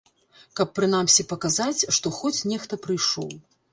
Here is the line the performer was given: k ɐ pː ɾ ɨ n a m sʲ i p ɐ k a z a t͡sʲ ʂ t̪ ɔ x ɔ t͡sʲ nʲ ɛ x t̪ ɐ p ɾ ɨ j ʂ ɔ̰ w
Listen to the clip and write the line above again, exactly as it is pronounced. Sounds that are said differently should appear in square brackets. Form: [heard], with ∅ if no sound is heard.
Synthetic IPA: k ɐ pː ɾ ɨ n a m sʲ i p ɐ k a z a t͡sʲ ʂ t̪ ɔ x ɔ t͡sʲ nʲ ɛ x t̪ ɐ p ɾ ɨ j ʂ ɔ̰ w